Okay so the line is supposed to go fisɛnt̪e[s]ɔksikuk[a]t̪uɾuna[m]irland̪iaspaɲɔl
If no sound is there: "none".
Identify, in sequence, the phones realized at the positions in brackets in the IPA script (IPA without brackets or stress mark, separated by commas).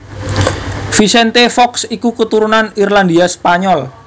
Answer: f, ə, n